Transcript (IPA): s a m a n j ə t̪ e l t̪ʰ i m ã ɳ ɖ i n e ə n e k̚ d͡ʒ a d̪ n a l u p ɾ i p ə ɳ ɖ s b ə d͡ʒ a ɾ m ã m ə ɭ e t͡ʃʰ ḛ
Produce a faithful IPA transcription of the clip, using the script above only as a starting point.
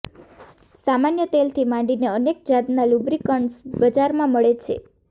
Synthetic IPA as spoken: s a m a n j ə t̪ e l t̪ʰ i m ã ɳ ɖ i n e ə n e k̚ d͡ʒ a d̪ n a l u b ɾ i k ə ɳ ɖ s b ə d͡ʒ a ɾ m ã m ə ɭ e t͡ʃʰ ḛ

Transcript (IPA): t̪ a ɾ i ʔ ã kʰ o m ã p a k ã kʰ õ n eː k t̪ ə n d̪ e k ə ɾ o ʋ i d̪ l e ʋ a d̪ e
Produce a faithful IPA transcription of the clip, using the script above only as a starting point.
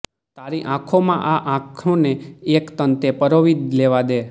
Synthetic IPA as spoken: t̪ a ɾ i ʔ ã kʰ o m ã ʔ a ʔ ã kʰ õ n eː k t̪ ə n t̪ e p ə ɾ o ʋ i d̪ l e ʋ a d̪ e

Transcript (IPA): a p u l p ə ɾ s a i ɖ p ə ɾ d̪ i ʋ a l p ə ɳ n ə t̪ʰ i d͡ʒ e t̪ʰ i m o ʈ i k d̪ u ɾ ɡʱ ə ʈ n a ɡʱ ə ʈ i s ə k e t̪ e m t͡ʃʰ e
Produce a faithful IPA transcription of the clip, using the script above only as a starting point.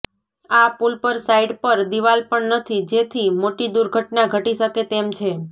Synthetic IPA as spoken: a p u l p ə ɾ s a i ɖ p ə ɾ d̪ i ʋ a l p ə ɳ n ə t̪ʰ i d͡ʒ e t̪ʰ i m o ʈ i d̪ u ɾ ɡʱ ə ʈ n a ɡʱ ə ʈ i ʃ ə k e t̪ e m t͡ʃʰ e

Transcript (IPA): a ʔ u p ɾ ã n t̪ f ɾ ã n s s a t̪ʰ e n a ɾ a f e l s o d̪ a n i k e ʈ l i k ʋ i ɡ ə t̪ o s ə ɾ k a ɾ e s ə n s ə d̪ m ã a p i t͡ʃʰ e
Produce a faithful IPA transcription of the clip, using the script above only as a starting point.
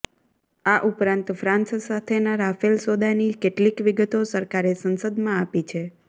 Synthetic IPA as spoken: a ʔ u p ɾ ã n t̪ f ɾ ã n s s a t̪ʰ e n a ɾ a f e l s o d̪ a n i k e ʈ l i k ʋ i ɡ ə t̪ o s ə ɾ k a ɾ e s ə n s ə d̪ m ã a p i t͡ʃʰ e

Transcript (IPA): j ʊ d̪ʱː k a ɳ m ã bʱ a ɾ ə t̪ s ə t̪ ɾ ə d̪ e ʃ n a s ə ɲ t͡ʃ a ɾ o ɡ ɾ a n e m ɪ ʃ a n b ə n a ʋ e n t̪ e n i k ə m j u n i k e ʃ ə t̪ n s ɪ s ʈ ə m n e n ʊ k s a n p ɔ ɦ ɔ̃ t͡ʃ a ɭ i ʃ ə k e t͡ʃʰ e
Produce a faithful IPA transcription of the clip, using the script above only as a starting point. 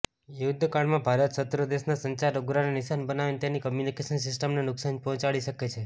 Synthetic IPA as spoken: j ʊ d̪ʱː k a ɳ m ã bʱ a ɾ ə t̪ s ə t̪ ɾ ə d̪ e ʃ n a s ə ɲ t͡ʃ a ɾ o ɡ ɾ a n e n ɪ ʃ a n b ə n a ʋ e n t̪ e n i k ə m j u n i k e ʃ ə n s ɪ s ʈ ə m n e n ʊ k s a n p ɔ ɦ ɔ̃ t͡ʃ a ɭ i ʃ ə k e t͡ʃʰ e

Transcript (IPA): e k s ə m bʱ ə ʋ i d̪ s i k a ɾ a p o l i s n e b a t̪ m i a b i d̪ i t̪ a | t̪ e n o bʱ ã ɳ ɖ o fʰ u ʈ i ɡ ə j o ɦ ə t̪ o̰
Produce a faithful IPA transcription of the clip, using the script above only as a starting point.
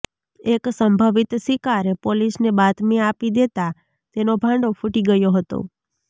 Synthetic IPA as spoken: e k s ə m bʱ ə ʋ i t̪ s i k a ɾ e p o l i s n e b a t̪ m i a p i d̪ e t̪ a | t̪ e n o bʱ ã ɳ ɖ o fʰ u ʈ i ɡ ə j o ɦ ə t̪ o̰

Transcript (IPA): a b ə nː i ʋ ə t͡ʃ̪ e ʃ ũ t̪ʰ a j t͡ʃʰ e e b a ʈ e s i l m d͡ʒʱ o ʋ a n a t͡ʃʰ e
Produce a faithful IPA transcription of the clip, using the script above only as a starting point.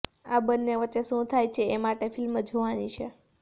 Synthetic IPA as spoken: a b ə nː e ʋ ə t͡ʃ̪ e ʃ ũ t̪ʰ a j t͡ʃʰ e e m a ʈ e f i l m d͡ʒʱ o ʋ a n i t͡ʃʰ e

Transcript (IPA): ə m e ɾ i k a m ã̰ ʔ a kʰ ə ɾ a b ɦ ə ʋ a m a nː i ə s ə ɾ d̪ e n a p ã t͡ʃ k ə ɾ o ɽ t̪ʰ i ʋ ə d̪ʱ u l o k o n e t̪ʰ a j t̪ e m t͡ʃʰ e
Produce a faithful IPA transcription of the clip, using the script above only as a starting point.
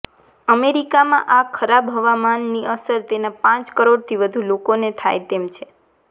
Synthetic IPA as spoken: ə m e ɾ i k a m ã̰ ʔ a kʰ ə ɾ a b ɦ ə ʋ a m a nː i ə s ə ɾ t̪ e n a p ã t͡ʃ k ə ɾ o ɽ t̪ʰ i ʋ ə d̪ʱ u l o k o n e t̪ʰ a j t̪ e m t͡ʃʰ e

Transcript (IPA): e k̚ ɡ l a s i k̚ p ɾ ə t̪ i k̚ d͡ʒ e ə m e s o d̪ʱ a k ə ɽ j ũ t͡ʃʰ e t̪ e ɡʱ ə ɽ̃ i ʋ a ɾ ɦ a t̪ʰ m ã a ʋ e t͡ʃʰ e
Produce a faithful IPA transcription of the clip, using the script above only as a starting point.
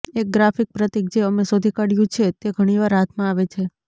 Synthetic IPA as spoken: e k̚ ɡ ɾ a f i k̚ p ɾ ə t̪ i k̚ d͡ʒ e ə m e s o d̪ʱ i k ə ɽ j ũ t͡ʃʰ e t̪ e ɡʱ ə ɽ̃ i ʋ a ɾ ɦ a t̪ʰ m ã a ʋ e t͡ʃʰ e

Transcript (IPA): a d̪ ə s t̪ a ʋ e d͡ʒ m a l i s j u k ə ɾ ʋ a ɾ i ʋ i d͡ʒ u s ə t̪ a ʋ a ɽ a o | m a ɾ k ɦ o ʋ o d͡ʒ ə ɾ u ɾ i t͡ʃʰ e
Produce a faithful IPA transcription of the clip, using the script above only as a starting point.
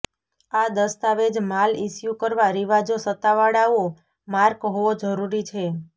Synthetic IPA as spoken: a d̪ ə s t̪ a ʋ e d͡ʒ m a l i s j u k ə ɾ ʋ a ɾ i ʋ a d͡ʒ o s ə t̪ a ʋ a ɽ a o | m a ɾ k ɦ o ʋ o d͡ʒ ə ɾ u ɾ i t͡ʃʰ e

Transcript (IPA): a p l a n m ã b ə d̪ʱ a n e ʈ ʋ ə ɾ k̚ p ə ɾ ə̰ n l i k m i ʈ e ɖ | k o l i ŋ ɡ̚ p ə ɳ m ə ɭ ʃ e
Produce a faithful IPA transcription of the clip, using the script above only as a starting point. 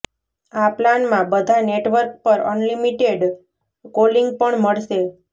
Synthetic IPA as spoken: a p l a n m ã b ə d̪ʱ a n e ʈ ʋ ə ɾ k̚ p ə ɾ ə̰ n l i m i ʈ e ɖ | k o l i ŋ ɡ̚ p ə ɳ m ə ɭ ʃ e

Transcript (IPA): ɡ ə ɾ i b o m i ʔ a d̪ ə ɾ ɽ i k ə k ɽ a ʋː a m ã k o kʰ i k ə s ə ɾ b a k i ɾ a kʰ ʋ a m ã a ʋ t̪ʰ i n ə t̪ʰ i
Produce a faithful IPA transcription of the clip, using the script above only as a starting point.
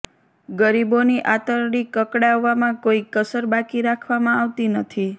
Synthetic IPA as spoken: ɡ ə ɾ i b o n i ʔ a t̪ ə ɾ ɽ i k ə k ɽ a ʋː a m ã k o i k ə s ə ɾ b a k i ɾ a kʰ ʋ a m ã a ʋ t̪ i n ə t̪ʰ i

